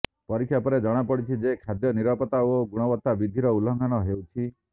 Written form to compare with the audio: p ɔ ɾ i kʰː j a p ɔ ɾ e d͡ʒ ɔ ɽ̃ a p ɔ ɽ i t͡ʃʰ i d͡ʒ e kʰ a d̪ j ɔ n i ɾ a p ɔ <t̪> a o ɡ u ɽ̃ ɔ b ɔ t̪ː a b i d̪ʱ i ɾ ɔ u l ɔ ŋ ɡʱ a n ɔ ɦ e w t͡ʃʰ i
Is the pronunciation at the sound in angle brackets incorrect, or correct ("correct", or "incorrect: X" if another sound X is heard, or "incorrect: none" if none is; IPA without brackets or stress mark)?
correct